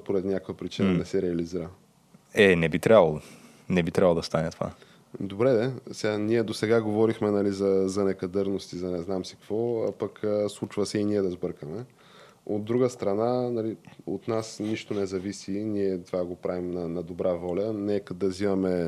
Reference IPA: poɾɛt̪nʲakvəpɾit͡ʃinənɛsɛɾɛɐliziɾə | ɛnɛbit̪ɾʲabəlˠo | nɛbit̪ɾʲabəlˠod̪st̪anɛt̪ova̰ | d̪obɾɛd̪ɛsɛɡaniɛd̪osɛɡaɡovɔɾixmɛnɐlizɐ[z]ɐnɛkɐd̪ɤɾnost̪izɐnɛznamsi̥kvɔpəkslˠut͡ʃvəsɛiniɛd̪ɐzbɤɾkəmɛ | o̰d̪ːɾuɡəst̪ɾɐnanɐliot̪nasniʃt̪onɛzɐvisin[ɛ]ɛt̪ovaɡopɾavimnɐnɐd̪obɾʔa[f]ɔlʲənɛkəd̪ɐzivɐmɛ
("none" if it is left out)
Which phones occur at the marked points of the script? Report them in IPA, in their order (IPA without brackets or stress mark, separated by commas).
z, i, v